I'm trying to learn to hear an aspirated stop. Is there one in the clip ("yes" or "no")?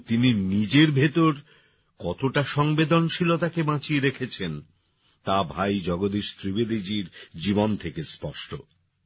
yes